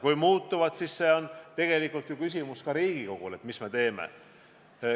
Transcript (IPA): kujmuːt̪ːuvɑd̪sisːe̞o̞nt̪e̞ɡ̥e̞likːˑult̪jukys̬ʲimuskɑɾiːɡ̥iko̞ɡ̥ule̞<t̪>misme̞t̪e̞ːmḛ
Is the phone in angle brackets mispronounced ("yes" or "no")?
no